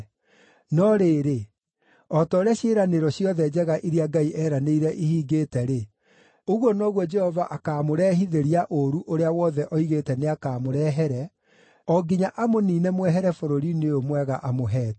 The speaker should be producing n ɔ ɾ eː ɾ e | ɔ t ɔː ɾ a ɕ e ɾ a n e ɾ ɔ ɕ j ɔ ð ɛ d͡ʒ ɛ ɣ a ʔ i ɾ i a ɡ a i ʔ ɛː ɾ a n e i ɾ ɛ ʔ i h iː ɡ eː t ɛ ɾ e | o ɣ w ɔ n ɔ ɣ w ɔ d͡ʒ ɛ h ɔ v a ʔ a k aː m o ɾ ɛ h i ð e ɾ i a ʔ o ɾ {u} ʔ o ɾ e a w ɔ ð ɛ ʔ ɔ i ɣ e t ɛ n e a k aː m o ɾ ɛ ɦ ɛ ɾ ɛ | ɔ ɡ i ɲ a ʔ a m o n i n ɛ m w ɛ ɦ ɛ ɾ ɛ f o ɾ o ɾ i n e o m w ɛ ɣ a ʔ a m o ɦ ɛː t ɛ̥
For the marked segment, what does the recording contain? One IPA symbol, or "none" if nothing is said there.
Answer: u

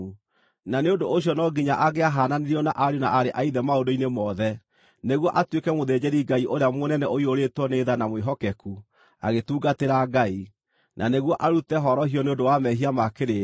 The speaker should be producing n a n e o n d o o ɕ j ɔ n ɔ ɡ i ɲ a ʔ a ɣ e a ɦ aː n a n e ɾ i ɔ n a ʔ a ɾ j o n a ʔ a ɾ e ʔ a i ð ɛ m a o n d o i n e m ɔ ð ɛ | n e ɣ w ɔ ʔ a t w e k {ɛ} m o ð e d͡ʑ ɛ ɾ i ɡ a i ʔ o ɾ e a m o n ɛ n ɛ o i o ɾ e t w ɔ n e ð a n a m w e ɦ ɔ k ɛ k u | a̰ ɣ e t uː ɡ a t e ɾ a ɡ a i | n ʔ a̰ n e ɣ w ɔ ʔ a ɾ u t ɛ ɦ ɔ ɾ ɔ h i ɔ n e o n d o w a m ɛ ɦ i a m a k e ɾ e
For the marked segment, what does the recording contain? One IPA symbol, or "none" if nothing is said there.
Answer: ɛ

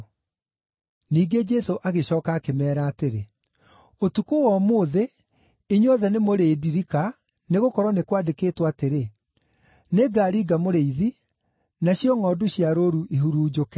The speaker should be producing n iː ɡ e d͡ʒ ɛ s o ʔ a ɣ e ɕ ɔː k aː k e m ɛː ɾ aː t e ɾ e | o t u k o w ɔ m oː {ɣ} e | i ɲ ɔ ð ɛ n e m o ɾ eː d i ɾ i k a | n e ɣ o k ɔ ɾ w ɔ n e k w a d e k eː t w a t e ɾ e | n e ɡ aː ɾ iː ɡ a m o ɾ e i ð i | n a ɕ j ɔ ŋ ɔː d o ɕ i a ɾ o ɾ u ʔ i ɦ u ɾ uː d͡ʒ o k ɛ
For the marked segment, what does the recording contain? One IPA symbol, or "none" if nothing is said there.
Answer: ð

